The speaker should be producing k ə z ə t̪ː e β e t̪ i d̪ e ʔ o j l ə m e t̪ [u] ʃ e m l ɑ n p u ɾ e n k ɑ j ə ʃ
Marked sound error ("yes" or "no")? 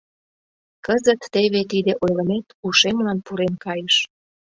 no